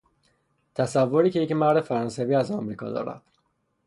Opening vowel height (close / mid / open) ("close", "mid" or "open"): open